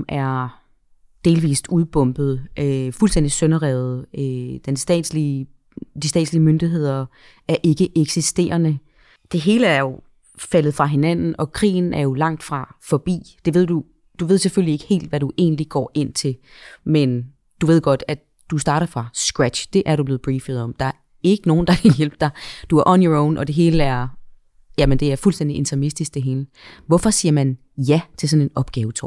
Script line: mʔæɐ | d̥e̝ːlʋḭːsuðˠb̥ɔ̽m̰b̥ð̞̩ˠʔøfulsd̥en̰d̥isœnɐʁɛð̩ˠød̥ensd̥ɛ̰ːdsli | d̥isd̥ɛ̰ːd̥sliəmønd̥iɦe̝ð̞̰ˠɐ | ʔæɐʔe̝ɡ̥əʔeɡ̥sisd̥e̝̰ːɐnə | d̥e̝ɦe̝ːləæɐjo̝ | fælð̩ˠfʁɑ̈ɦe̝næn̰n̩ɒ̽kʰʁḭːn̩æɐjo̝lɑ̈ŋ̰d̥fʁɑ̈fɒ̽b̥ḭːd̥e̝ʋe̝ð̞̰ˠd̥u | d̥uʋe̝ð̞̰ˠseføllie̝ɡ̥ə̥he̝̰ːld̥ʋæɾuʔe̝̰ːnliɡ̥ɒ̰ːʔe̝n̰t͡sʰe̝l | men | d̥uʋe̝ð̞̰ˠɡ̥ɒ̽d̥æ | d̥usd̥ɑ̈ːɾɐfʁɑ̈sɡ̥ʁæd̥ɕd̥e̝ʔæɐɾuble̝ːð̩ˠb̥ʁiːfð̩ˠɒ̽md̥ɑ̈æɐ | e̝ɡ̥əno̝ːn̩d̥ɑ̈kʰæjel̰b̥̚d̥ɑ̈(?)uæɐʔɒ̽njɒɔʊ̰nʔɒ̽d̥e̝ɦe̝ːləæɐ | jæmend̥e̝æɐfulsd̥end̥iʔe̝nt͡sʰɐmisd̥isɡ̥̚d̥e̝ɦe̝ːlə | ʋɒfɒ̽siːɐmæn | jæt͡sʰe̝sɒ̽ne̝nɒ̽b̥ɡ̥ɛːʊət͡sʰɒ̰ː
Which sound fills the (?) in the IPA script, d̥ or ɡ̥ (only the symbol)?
d̥